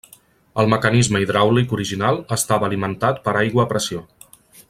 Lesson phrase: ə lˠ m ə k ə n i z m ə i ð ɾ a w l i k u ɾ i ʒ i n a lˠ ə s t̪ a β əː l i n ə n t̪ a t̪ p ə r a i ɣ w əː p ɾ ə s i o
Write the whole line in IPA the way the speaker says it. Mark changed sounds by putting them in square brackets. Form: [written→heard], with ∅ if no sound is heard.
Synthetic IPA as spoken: ə lˠ m ə k ə n i z m ə i ð ɾ a w l i k u ɾ i ʒ i n a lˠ ə s t̪ a β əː l i [n→m] ə n t̪ a t̪ p ə [r→ɾ] a [i→j] ɣ w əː p ɾ ə s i o